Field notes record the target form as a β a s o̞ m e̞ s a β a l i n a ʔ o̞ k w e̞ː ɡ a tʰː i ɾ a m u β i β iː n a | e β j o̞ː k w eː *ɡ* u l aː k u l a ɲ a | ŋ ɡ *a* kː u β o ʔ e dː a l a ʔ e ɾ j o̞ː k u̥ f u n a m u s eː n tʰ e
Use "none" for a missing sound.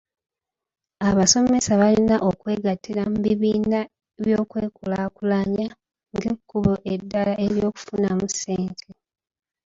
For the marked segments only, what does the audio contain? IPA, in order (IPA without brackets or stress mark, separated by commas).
k, e